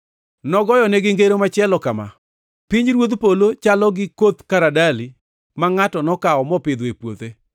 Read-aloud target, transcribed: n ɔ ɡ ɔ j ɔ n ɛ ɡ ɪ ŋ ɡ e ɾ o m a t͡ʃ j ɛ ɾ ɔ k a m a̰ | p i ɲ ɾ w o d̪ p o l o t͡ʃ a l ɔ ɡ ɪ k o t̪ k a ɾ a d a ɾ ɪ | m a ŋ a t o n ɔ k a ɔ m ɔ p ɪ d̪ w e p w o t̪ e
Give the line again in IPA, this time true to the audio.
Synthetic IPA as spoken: n ɔ ɡ ɔ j ɔ n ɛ ɡ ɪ ŋ ɡ e ɾ o m a t͡ʃ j ɛ l ɔ k a m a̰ | p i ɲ ɾ w o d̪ p o l o t͡ʃ a l ɔ ɡ ɪ k o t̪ k a ɾ a d a l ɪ | m a ŋ a t ɔ n ɔ k a ɔ m ɔ p ɪ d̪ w e p w o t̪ e